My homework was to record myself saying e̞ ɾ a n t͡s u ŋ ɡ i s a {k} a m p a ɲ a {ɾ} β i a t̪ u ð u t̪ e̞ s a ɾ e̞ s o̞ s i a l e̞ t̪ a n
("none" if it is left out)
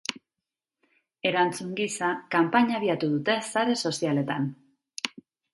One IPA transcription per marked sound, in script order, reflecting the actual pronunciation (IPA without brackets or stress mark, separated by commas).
k, none